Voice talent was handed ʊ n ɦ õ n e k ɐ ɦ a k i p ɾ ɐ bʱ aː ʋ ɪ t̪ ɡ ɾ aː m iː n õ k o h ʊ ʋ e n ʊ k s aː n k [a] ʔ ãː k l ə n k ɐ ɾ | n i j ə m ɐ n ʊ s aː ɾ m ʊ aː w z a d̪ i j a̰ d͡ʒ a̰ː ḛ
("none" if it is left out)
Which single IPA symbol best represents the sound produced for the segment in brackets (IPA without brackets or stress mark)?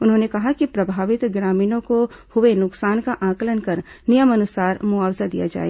a